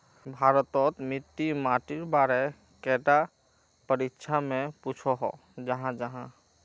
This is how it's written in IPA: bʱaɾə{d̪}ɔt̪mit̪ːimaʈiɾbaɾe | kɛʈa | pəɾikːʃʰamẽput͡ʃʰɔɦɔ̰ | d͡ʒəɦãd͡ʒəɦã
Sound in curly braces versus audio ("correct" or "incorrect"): incorrect